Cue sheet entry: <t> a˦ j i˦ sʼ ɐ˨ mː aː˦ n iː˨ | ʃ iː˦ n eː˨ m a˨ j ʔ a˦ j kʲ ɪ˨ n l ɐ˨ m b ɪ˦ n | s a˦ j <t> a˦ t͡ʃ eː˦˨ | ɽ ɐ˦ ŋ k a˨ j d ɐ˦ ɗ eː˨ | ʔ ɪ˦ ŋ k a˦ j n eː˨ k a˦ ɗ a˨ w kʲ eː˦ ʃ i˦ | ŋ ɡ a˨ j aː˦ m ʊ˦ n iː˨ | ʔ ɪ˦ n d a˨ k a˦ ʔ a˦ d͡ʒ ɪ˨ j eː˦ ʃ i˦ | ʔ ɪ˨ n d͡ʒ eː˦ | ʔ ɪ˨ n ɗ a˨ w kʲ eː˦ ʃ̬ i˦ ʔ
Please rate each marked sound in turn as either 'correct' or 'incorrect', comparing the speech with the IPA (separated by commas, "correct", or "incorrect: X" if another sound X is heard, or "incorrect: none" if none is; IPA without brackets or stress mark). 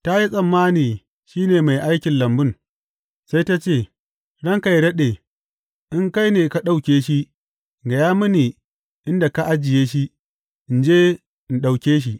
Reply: correct, correct